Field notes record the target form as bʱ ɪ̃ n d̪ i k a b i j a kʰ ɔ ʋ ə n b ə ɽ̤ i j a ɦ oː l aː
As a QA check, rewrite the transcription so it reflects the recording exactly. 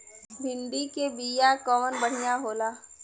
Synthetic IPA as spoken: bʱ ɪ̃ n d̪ i k e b i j a k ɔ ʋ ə n b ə ɽ̤ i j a ɦ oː l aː